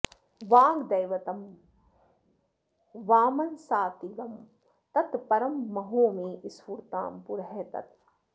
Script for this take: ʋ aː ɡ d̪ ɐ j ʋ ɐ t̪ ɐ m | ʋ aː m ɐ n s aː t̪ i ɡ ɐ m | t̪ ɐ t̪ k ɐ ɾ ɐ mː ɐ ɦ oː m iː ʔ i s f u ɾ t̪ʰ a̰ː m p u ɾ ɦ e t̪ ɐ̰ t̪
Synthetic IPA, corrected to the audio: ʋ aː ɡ d̪ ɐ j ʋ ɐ t̪ ɐ m | ʋ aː m ɐ n s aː t̪ i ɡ ɐ m | t̪ ɐ t̪ p ɐ ɾ ɐ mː ɐ ɦ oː m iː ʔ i s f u ɾ t̪ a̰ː m p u ɾ ɦ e t̪ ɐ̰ t̪